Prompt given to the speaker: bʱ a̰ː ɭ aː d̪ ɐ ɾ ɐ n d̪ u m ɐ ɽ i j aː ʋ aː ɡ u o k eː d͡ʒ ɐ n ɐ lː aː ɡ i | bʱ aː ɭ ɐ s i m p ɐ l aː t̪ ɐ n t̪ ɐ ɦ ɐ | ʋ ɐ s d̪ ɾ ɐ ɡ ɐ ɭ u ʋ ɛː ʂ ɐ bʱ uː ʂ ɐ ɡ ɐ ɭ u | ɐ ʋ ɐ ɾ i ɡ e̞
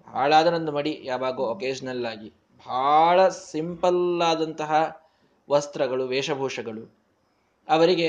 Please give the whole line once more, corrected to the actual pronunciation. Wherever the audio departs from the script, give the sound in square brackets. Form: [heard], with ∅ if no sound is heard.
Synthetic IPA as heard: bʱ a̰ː ɭ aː d̪ ɐ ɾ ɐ n d̪ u m ɐ ɽ i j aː ʋ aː ɡ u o k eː d͡ʒ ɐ n ɐ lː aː ɡ i | bʱ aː ɭ ɐ s i m p ɐ l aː [d̪] ɐ n t̪ ɐ ɦ ɐ | ʋ ɐ s [t̪] ɾ ɐ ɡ ɐ ɭ u ʋ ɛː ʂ ɐ bʱ uː ʂ ɐ ɡ ɐ ɭ u | ɐ ʋ ɐ ɾ i ɡ e̞